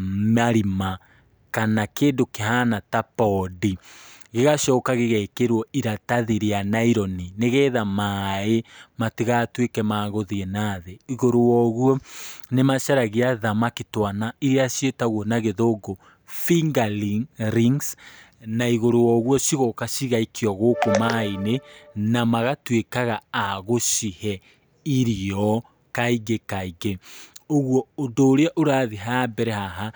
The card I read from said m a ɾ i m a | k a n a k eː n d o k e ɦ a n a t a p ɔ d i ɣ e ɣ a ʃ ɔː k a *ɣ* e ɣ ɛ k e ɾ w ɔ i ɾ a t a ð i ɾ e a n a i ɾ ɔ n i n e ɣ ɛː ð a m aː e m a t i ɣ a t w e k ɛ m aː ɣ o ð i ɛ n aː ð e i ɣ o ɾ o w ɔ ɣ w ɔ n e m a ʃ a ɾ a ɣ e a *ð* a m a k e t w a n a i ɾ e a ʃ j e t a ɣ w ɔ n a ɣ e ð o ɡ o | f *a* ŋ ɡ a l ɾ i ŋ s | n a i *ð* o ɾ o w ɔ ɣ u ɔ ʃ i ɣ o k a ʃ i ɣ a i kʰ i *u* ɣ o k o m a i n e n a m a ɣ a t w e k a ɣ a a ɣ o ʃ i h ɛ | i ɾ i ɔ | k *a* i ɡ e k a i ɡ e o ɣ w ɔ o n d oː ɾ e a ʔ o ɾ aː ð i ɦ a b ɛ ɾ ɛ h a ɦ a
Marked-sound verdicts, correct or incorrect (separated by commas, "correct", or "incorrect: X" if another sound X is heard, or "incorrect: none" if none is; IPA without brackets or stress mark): correct, correct, incorrect: i, incorrect: ɣ, incorrect: ɔ, correct